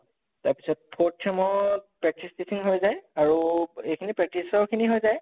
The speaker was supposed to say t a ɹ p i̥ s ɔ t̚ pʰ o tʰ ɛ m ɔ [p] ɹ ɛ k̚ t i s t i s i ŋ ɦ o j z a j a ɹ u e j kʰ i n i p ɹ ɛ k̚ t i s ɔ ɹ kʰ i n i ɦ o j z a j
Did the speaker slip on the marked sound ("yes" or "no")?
no